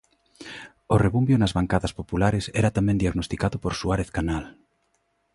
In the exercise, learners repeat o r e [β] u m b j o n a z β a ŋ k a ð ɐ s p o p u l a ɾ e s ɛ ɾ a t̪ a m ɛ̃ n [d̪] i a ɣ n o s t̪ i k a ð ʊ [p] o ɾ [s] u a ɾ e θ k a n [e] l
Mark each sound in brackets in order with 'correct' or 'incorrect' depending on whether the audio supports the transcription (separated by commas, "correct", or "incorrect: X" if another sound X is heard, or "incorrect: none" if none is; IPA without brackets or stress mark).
correct, correct, correct, correct, incorrect: a